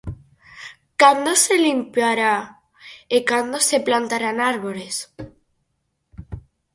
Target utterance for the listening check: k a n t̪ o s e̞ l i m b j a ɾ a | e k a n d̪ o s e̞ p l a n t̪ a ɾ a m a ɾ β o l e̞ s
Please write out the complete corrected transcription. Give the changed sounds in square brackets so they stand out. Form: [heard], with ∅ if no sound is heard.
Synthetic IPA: k a n [d̪] o s e̞ l i m [p] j a ɾ a | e k a n d̪ o s e̞ p l a n t̪ a ɾ a [n] a ɾ β o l e̞ s